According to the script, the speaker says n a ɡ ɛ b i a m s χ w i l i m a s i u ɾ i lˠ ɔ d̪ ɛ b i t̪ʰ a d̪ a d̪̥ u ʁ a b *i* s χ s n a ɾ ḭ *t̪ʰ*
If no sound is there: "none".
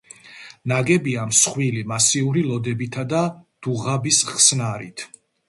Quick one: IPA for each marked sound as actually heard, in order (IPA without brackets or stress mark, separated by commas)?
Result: i, t̪ʰ